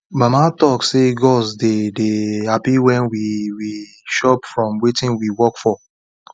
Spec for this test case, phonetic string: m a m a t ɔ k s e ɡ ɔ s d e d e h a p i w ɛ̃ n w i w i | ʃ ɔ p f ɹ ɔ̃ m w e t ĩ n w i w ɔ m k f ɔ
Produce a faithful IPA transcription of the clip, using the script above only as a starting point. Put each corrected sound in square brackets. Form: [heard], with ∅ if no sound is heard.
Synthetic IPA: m a m a t ɔ k s e ɡ ɔ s d e d e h a p i w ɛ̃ n w i w i | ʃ ɔ p f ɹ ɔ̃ m w e t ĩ n w i w ɔ [∅] k f ɔ